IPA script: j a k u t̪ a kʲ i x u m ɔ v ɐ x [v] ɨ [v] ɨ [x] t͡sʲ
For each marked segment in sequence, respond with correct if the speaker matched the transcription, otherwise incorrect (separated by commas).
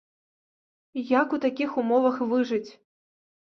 correct, incorrect, incorrect